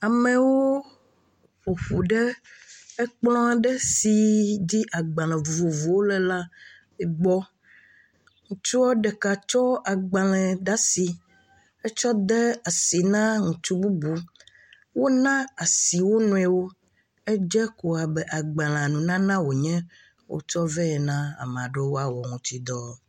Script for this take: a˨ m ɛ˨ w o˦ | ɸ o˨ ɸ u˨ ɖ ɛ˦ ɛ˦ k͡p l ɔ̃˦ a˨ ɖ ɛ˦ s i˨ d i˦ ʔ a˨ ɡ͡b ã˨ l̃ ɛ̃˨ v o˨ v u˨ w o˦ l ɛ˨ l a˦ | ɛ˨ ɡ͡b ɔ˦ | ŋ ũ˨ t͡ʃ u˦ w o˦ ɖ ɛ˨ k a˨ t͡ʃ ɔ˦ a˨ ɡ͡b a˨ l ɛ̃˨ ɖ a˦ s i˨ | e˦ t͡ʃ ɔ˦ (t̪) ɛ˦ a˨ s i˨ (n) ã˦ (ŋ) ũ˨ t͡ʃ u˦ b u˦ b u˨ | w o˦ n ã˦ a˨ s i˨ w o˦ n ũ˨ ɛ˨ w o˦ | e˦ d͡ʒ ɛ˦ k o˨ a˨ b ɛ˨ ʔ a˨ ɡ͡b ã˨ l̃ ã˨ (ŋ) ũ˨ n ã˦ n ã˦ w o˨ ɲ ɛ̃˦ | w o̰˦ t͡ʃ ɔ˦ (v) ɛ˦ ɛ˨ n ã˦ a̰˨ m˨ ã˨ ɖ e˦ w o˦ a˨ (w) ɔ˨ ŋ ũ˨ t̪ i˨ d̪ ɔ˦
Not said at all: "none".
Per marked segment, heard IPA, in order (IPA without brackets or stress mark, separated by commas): d̪, n, ŋ, n, v, w